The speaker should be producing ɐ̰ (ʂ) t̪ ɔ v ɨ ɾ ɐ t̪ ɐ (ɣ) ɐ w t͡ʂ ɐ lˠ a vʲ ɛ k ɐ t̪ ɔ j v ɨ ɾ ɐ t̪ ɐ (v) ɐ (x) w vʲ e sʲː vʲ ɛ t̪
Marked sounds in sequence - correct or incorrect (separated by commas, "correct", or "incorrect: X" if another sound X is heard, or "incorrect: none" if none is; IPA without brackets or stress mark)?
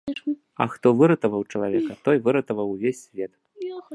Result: incorrect: x, incorrect: v, correct, incorrect: none